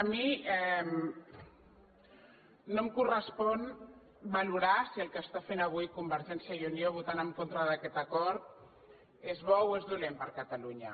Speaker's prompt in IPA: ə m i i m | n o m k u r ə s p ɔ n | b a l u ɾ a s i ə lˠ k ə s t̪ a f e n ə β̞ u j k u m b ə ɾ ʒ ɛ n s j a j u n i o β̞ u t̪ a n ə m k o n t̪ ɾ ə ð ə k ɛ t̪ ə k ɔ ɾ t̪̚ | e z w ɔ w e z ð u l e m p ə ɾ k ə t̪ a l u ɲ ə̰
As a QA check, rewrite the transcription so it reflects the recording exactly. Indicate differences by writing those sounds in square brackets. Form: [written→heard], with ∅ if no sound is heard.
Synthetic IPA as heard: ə m i [i→ɛ] m | n o m k u r ə s p ɔ n | b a l u ɾ a s i ə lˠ k ə s t̪ a f e n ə β̞ u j k u m b ə ɾ ʒ ɛ n s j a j u n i o β̞ u t̪ a n ə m k o n t̪ ɾ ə ð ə k ɛ t̪ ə k ɔ ɾ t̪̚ | e z [w→β] ɔ w e z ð u l e m p ə ɾ k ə t̪ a l u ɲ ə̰